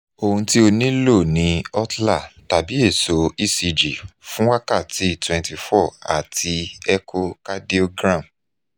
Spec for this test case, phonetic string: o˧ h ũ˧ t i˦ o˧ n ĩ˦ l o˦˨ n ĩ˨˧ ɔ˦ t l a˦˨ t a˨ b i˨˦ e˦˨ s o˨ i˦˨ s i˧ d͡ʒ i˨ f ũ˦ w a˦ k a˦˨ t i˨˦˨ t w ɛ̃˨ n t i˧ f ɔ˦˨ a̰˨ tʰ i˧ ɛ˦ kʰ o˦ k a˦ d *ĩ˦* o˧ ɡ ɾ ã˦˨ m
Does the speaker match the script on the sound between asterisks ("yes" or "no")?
no